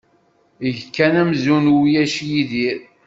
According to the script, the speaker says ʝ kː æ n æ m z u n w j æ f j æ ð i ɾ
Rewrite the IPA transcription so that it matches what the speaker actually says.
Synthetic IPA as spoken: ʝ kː æ n æ m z u n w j æ ʃ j i ð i ɾ